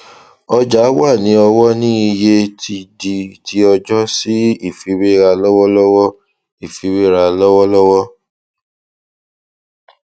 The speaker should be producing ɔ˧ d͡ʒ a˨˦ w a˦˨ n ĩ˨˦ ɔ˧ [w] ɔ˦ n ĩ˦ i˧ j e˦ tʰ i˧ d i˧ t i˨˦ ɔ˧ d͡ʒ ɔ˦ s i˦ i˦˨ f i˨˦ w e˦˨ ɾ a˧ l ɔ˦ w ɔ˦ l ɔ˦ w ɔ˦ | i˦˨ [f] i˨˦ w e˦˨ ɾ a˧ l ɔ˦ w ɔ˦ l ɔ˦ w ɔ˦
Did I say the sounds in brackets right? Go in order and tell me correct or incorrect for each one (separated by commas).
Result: correct, correct